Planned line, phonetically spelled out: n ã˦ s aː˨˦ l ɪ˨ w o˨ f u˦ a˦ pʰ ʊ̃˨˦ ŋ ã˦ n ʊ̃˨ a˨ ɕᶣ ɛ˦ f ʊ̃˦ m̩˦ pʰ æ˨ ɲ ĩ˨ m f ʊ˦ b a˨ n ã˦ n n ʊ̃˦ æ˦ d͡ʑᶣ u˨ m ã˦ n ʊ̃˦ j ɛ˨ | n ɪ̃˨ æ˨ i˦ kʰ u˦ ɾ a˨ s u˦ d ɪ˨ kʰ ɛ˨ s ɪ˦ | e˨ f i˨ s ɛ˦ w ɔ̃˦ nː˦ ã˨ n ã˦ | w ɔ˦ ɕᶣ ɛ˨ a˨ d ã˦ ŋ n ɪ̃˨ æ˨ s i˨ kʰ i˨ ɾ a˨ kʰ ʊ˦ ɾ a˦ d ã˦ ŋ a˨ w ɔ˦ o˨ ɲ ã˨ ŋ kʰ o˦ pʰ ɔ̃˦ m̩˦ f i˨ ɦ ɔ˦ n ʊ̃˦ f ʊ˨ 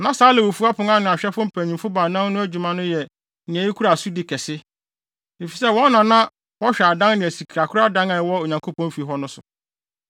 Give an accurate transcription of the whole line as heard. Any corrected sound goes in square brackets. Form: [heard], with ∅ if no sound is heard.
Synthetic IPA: n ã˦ s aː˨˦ l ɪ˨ w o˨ f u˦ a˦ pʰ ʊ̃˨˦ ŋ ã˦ n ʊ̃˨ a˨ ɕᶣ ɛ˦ f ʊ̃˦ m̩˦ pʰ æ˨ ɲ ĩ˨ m f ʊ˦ b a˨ n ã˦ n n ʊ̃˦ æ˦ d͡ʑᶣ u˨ m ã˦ n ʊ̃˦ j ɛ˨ | n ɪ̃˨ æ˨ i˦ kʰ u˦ ɾ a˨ s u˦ d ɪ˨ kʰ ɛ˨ s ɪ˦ | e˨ f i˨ s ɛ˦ w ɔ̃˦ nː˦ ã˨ n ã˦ | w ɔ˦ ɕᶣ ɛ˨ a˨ d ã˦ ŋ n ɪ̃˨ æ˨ s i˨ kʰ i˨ ɾ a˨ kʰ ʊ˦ ɾ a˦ d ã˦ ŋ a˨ w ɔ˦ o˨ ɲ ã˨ ŋ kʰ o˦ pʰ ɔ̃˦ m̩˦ f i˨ ɦ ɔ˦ n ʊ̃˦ [s] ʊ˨